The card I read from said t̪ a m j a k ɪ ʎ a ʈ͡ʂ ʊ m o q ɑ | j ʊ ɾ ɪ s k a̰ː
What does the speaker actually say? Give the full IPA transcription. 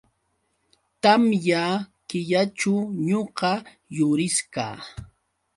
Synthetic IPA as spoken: t̪ a m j a k ɪ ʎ a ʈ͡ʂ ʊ ɲ o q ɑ | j ʊ ɾ ɪ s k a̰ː